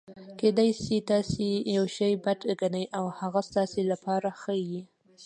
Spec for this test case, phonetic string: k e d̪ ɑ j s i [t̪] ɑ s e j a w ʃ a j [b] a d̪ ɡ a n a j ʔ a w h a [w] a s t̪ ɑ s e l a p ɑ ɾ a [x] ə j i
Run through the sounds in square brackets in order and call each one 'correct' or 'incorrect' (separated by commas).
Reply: correct, correct, incorrect, correct